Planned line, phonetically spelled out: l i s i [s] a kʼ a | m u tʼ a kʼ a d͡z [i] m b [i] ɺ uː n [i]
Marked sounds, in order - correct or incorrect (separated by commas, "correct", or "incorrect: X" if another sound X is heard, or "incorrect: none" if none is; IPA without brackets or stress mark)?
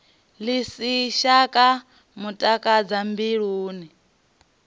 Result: incorrect: ʃ, incorrect: a, correct, correct